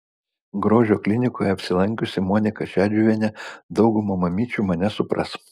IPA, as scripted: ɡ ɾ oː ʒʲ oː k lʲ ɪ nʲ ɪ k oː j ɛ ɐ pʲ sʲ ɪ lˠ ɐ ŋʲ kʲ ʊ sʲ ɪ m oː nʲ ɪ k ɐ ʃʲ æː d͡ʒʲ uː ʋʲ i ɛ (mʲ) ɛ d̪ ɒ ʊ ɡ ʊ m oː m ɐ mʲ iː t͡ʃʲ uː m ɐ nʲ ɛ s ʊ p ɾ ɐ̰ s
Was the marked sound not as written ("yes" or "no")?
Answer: yes